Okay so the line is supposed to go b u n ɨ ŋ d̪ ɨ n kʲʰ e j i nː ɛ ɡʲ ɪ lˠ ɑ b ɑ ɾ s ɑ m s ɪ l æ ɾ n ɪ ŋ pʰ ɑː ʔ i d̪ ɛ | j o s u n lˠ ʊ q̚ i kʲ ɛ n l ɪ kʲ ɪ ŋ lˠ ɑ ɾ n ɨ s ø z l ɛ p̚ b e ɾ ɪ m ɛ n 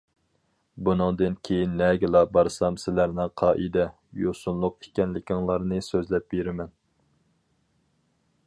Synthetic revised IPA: b u n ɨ ŋ d̪ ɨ n kʲʰ e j i nː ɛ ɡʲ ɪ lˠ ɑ b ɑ ɾ s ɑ m s ɪ l æ ɾ n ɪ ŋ qʰ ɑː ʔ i d̪ ɛ | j o s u n lˠ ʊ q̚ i kʲ ɛ n l ɪ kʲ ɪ ŋ lˠ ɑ ɾ n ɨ s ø z l ɛ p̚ b e ɾ ɪ m ɛ n